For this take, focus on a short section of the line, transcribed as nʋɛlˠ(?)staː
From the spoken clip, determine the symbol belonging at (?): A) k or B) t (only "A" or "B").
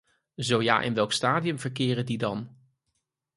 A